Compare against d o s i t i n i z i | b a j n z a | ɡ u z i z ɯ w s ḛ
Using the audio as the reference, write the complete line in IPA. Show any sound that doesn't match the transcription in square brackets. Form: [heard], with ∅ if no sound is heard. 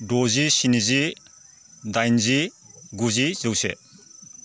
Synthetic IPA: d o [z] i [s] i n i z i | [d] a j n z [i] | ɡ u z i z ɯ w s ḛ